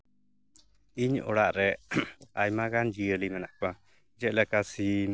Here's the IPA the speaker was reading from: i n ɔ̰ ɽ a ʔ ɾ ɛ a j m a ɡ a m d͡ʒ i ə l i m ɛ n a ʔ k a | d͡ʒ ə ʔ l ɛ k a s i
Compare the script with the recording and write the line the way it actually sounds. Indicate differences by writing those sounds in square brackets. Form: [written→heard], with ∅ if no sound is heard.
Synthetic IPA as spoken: i [n→ɲ] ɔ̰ ɽ a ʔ ɾ ɛ a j m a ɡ a [m→n] d͡ʒ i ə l i m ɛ n a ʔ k a | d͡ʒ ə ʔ l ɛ k a s i